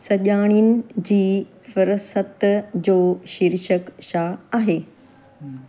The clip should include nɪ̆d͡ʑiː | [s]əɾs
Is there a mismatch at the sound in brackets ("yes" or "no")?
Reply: yes